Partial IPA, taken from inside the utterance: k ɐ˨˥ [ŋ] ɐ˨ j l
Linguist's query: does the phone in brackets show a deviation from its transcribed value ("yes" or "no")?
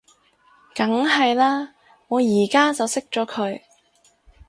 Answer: no